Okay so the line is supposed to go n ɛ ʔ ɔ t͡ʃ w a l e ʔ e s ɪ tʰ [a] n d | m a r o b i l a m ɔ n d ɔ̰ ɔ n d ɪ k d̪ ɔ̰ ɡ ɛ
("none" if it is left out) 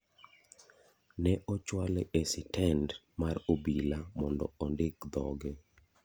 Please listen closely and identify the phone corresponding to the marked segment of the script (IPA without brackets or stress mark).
ɛ